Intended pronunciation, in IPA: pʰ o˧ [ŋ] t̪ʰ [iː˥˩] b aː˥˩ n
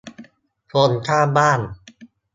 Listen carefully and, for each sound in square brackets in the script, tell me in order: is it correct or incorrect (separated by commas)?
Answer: incorrect, incorrect